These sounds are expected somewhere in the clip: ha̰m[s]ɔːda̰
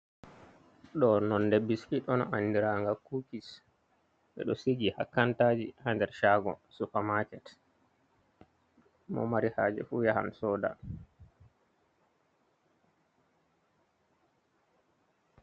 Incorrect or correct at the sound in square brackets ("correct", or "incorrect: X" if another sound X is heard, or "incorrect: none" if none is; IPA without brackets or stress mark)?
correct